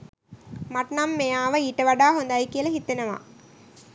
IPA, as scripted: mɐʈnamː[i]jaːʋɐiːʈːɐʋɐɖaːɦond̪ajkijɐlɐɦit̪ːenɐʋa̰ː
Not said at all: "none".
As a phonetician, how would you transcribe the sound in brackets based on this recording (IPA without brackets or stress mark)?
e